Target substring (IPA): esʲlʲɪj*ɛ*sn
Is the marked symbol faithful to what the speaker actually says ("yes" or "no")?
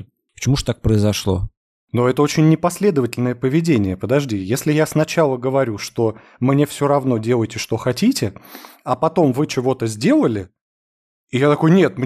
no